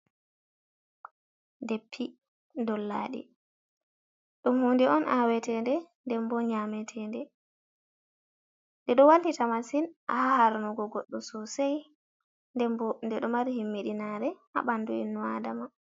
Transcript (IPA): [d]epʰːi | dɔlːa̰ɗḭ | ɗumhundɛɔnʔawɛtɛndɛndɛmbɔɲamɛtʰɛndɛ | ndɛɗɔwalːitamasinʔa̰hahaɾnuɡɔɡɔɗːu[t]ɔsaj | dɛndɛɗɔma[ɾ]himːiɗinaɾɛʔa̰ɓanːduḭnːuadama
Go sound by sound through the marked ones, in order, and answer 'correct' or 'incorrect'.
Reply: correct, incorrect, correct

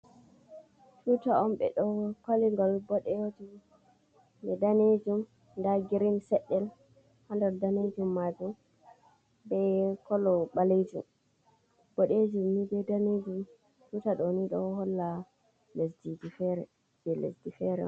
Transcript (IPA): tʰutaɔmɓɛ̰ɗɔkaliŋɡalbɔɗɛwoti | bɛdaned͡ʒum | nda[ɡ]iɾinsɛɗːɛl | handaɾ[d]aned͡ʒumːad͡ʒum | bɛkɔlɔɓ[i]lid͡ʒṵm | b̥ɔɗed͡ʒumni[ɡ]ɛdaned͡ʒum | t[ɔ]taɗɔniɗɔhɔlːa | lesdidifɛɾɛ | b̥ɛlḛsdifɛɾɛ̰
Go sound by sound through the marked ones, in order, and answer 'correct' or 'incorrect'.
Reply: correct, correct, incorrect, incorrect, incorrect

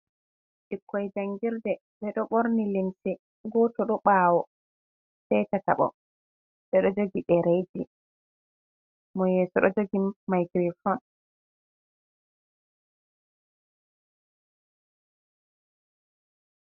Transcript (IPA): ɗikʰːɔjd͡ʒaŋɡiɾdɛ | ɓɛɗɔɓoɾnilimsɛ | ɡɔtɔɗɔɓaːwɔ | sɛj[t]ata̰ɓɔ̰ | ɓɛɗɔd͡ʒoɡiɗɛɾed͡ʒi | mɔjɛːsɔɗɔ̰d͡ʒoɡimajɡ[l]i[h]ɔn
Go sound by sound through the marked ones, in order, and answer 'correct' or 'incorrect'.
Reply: correct, incorrect, incorrect

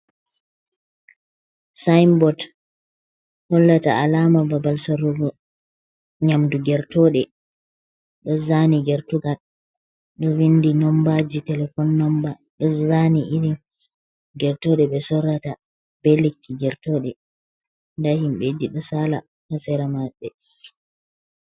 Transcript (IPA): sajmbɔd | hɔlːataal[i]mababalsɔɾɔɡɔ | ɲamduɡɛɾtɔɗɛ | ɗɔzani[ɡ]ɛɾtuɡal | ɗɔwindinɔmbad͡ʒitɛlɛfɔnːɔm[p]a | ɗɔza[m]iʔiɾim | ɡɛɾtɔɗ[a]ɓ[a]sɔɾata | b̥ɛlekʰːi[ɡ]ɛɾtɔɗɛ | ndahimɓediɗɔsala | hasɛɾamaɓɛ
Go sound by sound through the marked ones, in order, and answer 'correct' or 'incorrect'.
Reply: incorrect, correct, incorrect, incorrect, incorrect, incorrect, correct

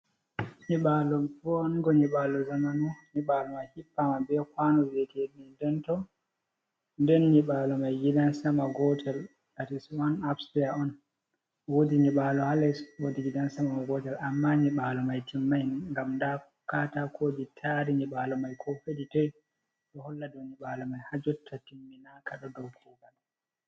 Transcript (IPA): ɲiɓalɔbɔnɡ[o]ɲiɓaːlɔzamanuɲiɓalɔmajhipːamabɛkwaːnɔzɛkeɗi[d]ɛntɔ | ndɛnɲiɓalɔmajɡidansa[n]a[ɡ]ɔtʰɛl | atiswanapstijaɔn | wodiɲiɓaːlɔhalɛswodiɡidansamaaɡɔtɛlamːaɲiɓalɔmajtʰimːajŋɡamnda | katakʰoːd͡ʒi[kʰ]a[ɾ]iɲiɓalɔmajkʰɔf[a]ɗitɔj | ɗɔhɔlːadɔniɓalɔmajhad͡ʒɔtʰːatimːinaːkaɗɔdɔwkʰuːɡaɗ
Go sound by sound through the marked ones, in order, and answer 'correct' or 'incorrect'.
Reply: incorrect, correct, incorrect, correct, incorrect, correct, incorrect

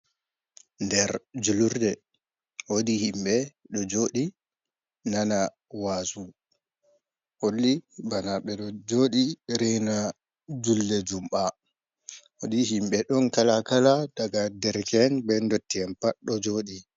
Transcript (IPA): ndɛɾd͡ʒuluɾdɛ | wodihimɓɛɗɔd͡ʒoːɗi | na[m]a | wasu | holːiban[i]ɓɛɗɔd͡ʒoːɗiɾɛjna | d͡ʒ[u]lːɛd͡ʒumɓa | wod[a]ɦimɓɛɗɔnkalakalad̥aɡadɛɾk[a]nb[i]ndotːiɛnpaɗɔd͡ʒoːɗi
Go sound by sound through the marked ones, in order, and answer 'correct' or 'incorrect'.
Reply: incorrect, incorrect, correct, incorrect, incorrect, incorrect

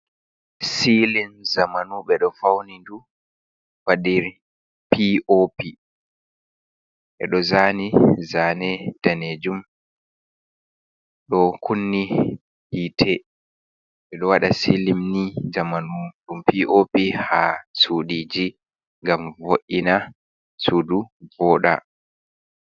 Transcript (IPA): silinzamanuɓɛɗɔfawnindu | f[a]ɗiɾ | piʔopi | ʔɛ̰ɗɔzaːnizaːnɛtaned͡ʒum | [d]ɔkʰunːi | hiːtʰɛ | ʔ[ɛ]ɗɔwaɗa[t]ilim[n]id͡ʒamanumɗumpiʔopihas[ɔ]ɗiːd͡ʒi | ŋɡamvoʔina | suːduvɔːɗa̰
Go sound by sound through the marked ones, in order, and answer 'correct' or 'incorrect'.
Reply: correct, incorrect, correct, incorrect, correct, incorrect

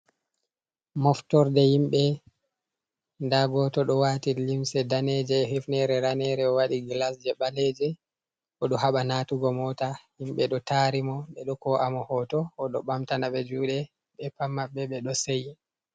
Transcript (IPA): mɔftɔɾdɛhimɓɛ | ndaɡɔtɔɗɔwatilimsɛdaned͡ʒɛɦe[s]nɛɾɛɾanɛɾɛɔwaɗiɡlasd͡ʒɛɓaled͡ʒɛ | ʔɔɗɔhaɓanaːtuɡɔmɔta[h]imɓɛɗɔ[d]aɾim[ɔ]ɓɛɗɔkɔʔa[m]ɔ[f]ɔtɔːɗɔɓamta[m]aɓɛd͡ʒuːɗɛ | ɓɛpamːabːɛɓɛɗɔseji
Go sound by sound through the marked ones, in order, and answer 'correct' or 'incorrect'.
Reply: incorrect, correct, incorrect, correct, correct, incorrect, incorrect

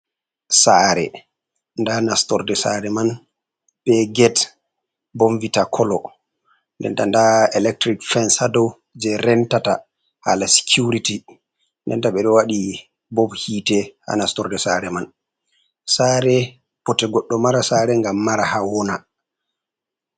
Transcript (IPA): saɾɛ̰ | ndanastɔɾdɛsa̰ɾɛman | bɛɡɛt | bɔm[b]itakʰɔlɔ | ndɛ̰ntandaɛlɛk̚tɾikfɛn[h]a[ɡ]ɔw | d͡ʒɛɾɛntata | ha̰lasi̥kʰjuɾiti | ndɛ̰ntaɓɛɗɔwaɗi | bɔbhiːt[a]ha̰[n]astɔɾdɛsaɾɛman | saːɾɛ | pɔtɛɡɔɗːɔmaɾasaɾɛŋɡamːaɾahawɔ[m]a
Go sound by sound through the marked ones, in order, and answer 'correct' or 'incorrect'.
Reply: incorrect, incorrect, incorrect, incorrect, correct, incorrect

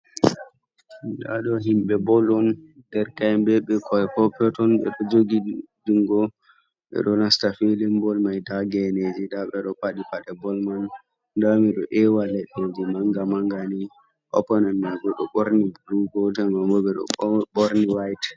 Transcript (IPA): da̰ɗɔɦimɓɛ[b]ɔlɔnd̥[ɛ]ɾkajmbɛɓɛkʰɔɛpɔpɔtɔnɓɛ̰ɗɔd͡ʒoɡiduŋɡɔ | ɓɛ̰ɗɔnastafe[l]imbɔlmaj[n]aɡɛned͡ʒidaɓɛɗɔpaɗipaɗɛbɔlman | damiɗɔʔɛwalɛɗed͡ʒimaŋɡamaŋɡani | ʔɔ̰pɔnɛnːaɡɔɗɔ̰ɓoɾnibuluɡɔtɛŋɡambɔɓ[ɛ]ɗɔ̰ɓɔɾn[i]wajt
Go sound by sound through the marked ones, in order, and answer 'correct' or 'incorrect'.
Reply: correct, correct, correct, incorrect, correct, correct

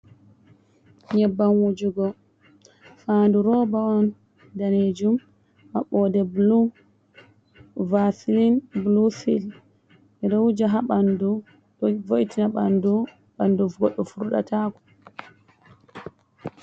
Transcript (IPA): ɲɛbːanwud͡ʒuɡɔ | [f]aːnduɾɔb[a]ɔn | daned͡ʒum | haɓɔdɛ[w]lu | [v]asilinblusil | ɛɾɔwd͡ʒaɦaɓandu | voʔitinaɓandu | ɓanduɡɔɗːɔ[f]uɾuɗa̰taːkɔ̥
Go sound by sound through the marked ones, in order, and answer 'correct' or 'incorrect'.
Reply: correct, correct, incorrect, correct, correct

